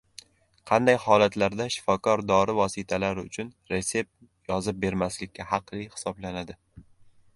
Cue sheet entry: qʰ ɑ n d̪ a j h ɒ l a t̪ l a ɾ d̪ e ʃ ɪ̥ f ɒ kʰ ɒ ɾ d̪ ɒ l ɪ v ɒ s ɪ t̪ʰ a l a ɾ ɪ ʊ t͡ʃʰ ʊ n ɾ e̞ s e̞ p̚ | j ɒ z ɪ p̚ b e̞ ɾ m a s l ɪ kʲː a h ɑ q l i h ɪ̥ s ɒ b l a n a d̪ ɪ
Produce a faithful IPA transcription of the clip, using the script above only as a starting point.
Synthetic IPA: qʰ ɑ n d̪ a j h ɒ l a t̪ l a ɾ d̪ a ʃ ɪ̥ f ɒ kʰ ɒ ɾ d̪ ɒ ɾ ɪ v ɒ s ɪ t̪ʰ a l a ɾ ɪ ʊ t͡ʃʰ ʊ n ɾ e̞ s e̞ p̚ | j ɒ z ɪ p̚ b e̞ ɾ m a s l ɪ kʲː a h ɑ q l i h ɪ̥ s ɒ b l a n a d̪ ɪ